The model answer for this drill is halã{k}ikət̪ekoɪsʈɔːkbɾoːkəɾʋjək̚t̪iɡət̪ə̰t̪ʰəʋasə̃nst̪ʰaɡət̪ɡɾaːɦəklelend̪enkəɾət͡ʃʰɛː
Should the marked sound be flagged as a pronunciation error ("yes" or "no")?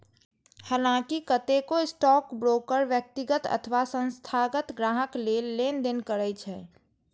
no